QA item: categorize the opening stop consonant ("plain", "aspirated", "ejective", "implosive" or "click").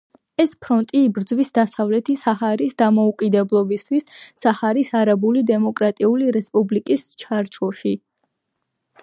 aspirated